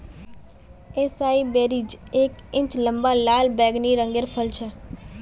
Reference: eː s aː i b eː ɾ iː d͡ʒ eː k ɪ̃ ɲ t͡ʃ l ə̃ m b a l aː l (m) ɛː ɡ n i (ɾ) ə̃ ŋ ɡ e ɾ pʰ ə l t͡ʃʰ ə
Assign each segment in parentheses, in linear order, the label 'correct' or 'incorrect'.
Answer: incorrect, correct

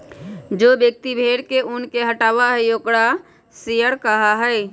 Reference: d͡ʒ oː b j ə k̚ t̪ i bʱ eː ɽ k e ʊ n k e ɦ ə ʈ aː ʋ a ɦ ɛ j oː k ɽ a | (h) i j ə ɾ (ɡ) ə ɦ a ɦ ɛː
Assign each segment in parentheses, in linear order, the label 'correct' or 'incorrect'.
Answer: incorrect, incorrect

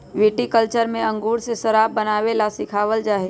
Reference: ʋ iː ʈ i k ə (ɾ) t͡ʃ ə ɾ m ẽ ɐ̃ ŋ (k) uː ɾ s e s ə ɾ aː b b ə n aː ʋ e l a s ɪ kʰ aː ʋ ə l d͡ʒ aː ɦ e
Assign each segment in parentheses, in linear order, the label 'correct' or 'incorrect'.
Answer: incorrect, incorrect

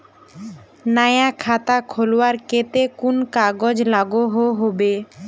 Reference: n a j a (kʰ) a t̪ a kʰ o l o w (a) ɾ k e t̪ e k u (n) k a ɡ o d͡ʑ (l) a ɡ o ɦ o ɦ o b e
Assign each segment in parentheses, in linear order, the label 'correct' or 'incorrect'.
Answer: correct, correct, correct, correct

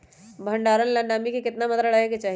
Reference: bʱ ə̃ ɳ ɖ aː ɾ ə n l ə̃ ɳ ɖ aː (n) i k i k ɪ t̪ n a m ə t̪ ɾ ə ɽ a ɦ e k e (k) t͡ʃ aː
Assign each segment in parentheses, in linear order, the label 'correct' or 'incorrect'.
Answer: incorrect, incorrect

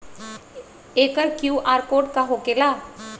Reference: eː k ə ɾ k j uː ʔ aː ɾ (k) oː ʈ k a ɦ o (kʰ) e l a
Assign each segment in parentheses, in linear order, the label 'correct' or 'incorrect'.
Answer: correct, incorrect

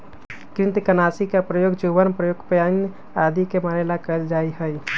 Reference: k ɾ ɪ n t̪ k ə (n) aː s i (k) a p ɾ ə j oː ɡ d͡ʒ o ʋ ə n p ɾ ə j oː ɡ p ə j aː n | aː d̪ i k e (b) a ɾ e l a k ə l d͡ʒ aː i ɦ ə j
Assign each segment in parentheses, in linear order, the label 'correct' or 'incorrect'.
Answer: correct, correct, incorrect

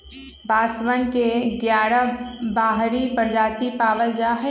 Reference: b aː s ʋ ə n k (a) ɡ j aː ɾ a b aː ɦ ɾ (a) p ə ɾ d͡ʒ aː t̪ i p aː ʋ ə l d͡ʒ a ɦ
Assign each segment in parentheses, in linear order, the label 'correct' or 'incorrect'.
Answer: incorrect, incorrect

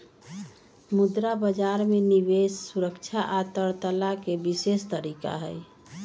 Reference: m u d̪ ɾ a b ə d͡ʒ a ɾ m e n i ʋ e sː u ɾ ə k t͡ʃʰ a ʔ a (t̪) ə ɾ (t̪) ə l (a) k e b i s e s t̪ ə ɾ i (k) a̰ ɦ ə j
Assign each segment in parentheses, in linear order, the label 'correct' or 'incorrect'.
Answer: correct, correct, correct, correct

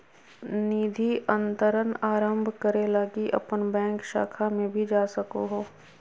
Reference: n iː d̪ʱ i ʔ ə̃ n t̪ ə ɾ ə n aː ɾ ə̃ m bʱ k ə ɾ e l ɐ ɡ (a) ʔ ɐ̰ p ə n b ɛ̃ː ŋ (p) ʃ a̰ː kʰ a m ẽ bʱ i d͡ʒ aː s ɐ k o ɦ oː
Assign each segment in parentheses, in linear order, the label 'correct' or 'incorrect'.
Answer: incorrect, incorrect

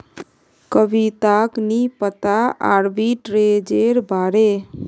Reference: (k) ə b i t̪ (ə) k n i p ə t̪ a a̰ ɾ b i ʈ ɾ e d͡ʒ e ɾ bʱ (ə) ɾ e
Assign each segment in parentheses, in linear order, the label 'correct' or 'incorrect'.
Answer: correct, incorrect, incorrect

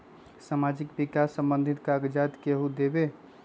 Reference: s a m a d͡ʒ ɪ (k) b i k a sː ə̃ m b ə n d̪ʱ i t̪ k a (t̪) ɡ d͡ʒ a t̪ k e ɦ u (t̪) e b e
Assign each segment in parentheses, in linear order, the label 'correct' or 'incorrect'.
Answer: correct, incorrect, incorrect

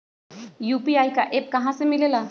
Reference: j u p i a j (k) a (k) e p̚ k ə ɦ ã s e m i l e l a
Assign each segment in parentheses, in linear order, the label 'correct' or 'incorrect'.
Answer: correct, incorrect

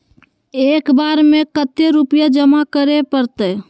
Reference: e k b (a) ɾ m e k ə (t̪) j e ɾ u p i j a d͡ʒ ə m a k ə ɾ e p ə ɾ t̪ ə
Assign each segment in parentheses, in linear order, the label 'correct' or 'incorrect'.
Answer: correct, correct

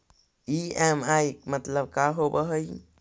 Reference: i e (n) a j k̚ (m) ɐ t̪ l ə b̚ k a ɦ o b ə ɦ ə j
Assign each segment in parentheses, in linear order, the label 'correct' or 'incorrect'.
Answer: incorrect, correct

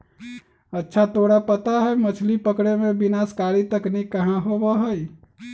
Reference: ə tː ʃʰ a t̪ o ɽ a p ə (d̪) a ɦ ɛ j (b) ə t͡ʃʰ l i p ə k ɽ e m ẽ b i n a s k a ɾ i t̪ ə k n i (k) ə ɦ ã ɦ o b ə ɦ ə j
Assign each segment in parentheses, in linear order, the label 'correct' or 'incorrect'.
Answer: incorrect, incorrect, correct

